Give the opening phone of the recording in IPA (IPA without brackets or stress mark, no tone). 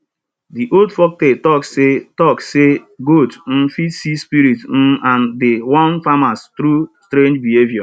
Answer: d